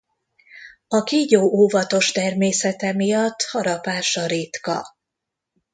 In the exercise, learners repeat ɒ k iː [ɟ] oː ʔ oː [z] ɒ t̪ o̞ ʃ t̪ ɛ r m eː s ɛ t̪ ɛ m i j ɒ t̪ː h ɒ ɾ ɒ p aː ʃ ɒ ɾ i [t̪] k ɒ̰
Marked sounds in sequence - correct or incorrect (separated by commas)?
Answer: correct, incorrect, correct